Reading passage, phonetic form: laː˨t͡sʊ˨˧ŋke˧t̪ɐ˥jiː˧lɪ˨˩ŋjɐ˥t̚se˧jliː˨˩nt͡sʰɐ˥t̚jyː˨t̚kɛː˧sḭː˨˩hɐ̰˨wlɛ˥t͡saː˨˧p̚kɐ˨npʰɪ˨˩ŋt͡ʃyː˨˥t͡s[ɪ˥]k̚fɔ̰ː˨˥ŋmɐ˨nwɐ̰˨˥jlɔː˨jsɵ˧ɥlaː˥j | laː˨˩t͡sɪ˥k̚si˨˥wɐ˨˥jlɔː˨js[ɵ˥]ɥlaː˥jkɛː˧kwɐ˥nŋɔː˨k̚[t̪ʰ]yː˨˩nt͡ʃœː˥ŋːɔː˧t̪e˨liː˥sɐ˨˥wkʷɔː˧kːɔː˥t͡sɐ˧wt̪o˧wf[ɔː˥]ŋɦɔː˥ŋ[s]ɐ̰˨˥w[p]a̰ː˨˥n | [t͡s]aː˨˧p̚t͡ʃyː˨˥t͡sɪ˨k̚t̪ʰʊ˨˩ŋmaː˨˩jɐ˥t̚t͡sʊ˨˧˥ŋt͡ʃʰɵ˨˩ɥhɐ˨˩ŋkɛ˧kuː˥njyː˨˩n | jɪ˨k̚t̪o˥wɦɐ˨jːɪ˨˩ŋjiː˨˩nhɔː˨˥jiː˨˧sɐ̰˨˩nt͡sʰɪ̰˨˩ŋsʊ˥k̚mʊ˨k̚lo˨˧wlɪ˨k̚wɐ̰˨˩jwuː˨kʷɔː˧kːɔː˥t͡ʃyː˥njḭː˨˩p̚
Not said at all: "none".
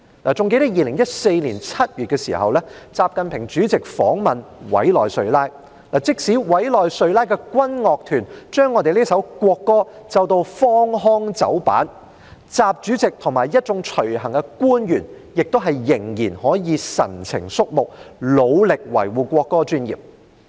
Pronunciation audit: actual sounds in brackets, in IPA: ɪ˨, ɵ˧, t̪ʰ, ɔː˥, t͡s, p, t͡s

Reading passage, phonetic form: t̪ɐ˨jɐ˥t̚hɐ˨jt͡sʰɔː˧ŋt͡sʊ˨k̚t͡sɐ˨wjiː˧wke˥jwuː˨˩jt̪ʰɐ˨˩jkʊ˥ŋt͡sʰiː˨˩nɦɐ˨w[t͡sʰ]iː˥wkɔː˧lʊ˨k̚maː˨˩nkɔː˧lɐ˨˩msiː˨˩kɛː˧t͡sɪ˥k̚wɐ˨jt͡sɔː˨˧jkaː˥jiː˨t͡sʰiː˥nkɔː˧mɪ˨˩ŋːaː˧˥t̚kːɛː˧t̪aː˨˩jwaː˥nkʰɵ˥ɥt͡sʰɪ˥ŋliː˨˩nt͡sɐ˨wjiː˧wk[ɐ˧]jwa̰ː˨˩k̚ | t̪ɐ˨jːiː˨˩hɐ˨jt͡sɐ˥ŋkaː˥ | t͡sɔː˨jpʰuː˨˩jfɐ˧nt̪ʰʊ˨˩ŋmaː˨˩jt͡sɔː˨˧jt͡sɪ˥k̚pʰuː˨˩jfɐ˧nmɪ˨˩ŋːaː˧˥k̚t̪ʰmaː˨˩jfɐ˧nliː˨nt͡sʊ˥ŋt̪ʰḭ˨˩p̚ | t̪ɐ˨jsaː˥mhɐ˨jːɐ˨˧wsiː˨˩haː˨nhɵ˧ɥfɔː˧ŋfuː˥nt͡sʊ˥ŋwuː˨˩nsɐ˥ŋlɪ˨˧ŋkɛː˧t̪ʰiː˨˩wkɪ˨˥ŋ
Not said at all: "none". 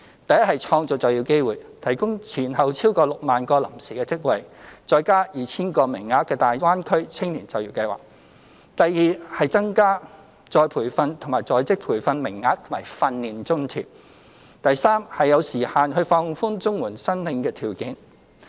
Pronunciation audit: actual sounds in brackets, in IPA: t͡sʰ, ɐ˧

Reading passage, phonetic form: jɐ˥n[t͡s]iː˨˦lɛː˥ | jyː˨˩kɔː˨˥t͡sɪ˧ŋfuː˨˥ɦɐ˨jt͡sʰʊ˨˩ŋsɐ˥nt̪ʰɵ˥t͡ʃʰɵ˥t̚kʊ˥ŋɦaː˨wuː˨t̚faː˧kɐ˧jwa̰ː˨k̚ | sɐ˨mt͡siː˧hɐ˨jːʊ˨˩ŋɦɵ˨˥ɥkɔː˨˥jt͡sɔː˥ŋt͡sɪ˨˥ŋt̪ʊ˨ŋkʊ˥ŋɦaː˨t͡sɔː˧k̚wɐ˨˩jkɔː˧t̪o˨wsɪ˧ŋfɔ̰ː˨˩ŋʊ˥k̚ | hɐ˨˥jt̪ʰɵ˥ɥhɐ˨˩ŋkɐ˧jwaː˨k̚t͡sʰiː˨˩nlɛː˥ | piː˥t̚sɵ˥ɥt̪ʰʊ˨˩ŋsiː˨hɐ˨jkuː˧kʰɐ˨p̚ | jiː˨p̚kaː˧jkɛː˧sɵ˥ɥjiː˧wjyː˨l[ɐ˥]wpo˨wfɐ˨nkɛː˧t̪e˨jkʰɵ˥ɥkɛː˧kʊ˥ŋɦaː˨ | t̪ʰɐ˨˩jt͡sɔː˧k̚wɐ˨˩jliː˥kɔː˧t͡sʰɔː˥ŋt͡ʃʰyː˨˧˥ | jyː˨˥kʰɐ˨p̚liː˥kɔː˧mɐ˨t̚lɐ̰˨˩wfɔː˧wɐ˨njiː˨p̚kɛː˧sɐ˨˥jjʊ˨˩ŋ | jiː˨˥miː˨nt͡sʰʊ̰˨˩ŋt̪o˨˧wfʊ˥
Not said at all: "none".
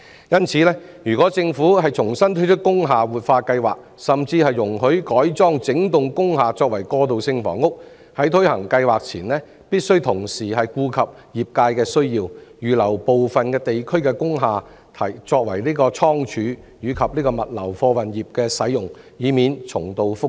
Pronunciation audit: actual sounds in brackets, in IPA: t͡sʰ, ɐ˨˩

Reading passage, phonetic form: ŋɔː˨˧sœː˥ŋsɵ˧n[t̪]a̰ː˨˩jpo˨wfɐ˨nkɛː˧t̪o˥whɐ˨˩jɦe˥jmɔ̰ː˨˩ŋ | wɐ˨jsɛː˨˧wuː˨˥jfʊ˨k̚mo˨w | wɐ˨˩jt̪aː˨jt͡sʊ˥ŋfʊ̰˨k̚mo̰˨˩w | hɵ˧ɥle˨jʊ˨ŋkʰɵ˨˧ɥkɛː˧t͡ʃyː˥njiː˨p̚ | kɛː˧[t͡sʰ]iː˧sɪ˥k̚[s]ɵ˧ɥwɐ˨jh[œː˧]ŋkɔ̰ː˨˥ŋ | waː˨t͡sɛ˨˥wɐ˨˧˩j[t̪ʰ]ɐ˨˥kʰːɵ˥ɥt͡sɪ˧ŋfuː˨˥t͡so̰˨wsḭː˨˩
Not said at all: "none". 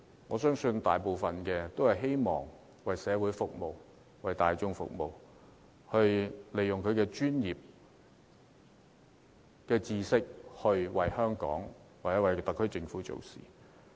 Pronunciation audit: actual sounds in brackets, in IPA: t̪, t͡s, h, œː˥, t̪

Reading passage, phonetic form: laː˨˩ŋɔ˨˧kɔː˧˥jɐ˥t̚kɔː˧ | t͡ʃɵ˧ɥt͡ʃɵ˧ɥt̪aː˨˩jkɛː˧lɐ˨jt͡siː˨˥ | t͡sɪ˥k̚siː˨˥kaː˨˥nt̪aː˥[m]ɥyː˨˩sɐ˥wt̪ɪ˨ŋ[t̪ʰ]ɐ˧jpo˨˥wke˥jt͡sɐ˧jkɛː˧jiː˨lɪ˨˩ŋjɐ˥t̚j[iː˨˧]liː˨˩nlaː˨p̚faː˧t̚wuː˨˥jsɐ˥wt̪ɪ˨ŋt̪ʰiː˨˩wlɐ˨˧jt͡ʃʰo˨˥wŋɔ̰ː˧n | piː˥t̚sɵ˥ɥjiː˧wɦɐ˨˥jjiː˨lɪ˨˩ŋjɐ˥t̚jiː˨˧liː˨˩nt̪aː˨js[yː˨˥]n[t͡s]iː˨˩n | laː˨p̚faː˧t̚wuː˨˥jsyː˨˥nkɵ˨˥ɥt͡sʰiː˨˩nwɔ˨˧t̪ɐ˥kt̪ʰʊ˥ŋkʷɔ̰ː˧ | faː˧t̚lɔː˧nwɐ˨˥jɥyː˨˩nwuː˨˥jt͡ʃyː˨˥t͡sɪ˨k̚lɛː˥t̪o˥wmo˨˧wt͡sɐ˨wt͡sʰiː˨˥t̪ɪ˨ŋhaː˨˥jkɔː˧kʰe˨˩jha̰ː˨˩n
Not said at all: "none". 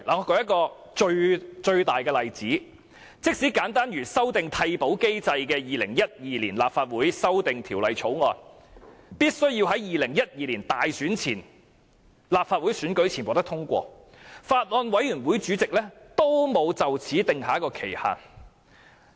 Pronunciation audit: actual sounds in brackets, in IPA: n, t̪ʰ, iː˨˧, yː˨˥, t͡sʰ

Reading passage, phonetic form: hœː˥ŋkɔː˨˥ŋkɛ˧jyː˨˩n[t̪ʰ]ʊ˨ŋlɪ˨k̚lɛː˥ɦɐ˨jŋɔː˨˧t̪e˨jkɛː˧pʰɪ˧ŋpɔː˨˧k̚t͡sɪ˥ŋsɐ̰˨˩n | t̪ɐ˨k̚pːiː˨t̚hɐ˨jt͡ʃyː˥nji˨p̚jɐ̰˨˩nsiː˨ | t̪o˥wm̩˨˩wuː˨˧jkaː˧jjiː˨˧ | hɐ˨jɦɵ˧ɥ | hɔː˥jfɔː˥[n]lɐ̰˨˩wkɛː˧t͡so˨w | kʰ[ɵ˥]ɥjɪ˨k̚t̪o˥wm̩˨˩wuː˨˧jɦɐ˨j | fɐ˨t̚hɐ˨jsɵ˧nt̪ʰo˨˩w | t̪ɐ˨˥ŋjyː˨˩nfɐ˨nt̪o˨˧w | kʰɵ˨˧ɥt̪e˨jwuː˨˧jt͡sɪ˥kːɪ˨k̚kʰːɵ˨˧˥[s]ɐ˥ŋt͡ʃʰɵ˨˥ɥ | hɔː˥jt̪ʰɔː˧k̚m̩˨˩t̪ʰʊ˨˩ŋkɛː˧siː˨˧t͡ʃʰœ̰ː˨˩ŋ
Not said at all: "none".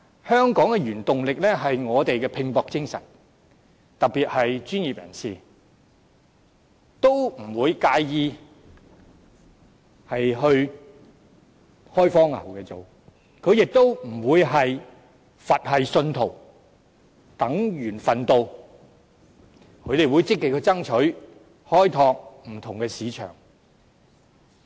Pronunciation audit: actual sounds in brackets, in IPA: t̪, ŋ, ɵ˨˧, t͡s

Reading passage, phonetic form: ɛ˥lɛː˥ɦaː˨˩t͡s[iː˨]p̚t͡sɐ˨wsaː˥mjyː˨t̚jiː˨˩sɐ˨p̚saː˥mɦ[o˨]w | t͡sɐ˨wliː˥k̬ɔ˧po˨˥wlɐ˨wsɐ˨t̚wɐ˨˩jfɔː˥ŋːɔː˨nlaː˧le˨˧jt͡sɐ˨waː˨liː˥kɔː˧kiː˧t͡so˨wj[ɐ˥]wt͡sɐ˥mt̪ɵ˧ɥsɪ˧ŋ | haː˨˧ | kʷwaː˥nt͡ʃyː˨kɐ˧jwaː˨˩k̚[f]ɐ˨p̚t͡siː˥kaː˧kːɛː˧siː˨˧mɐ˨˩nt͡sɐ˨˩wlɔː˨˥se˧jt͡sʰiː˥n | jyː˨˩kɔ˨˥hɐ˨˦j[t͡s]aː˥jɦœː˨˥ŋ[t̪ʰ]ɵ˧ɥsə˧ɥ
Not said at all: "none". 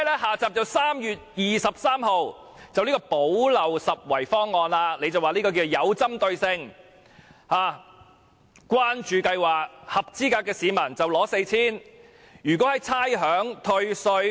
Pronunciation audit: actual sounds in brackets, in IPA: aː˨, o˨, ɐ˨˧, h, t͡sʰ, t̪ʰ

